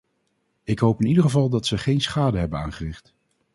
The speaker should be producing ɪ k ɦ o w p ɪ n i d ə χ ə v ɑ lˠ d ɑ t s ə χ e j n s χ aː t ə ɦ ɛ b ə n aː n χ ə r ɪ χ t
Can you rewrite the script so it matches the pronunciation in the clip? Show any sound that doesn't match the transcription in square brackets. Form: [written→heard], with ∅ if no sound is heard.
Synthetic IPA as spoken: ɪ k ɦ o w p ɪ n i d ə χ ə v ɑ lˠ d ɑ t s ə χ e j n s χ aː [t→d] ə ɦ ɛ b ə n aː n χ ə r ɪ χ t